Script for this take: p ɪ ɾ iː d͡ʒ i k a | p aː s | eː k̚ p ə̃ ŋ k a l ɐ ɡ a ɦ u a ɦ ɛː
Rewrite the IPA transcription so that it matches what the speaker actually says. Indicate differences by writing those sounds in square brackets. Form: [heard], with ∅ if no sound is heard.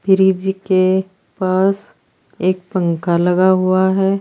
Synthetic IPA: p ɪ ɾ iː d͡ʒ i k [e] | p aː s | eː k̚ p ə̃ ŋ k a l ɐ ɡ a ɦ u a ɦ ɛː